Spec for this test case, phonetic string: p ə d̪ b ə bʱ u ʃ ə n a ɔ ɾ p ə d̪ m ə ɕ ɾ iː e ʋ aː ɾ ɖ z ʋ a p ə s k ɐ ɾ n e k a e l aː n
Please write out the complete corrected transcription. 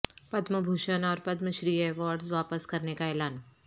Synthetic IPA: p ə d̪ m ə bʱ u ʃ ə n a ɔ ɾ p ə d̪ m ə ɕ ɾ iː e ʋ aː ɾ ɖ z ʋ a p ə s k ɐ ɾ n e k a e l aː n